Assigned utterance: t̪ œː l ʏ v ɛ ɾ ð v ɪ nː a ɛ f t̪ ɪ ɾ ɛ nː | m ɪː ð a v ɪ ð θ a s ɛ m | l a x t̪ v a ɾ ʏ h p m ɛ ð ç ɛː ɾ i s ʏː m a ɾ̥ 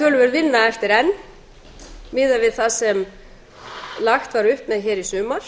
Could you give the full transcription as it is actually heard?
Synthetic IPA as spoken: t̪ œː l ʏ v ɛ ɾ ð v ɪ nː a ɛ f t̪ ɪ ɾ ɛ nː | m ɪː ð a v ɪ ð θ a s ɛ m | l a x t̪ v a ɾ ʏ h p m ɛ ð ç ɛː ɾ i s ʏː m a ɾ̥